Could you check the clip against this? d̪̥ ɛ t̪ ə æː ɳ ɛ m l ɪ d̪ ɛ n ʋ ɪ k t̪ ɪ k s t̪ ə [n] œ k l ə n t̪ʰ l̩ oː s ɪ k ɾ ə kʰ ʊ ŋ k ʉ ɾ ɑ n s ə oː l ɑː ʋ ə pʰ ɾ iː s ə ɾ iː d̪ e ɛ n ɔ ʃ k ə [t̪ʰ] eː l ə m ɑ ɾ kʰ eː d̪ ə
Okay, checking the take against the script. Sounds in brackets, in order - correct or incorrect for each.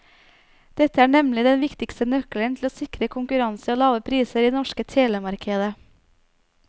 correct, correct

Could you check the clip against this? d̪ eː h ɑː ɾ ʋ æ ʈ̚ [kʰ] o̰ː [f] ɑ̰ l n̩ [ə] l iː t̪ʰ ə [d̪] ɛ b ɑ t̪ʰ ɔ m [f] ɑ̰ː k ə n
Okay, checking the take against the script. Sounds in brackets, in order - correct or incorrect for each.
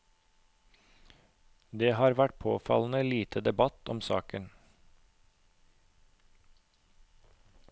incorrect, correct, correct, correct, incorrect

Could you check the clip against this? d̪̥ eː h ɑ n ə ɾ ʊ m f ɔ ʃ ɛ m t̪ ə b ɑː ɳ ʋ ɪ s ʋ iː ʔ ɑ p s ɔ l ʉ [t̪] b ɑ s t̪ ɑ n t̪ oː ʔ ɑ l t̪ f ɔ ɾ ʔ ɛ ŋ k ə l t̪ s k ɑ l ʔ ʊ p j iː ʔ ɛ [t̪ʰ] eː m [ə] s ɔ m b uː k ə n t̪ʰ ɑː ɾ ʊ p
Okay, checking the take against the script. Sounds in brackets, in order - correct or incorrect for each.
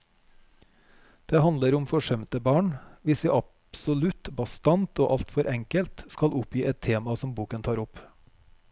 correct, correct, incorrect

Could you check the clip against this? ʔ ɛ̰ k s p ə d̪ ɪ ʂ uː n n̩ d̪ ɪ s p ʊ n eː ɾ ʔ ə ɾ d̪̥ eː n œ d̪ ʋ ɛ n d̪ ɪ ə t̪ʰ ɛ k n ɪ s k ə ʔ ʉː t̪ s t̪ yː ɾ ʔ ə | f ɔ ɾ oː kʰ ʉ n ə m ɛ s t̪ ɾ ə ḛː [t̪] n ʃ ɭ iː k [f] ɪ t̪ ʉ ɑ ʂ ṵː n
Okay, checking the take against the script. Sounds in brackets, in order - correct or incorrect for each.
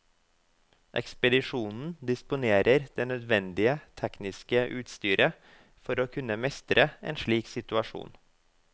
incorrect, incorrect

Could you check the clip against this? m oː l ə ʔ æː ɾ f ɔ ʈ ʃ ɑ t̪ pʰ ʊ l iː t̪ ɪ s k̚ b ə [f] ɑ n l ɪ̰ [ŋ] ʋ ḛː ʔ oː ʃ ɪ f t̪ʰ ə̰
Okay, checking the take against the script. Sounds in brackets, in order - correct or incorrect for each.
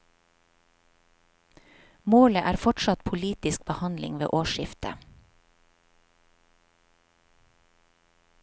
incorrect, correct

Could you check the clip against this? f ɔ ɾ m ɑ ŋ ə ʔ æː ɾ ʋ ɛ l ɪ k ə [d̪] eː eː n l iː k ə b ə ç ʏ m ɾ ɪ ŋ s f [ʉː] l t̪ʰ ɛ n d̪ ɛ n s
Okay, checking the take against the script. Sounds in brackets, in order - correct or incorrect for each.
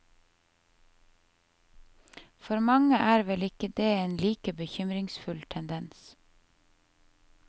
correct, incorrect

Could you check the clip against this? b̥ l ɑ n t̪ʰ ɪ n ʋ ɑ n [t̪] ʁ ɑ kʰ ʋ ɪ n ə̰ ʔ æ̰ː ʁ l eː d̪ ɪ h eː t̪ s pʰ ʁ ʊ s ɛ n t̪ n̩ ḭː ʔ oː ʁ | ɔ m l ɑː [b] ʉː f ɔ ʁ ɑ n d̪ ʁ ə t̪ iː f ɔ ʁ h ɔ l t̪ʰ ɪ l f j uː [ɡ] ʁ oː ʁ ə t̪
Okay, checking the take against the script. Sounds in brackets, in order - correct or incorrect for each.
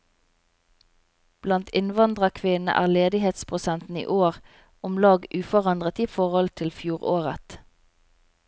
incorrect, incorrect, incorrect

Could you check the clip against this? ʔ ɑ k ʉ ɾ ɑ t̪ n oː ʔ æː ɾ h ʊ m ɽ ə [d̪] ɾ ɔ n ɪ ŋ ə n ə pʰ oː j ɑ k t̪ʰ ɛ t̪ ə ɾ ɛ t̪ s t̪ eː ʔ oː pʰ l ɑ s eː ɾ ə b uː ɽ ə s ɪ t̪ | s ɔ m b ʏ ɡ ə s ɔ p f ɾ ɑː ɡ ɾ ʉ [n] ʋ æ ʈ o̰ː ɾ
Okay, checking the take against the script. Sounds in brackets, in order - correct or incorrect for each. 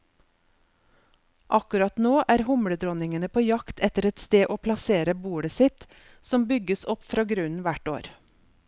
correct, correct

